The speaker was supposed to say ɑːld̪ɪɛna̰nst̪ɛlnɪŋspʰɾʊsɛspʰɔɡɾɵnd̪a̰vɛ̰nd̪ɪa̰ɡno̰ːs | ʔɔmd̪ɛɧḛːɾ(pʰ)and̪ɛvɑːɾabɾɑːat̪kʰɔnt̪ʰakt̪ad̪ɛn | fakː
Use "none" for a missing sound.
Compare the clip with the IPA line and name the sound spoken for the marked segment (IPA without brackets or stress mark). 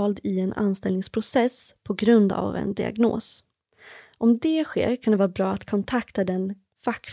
kʰ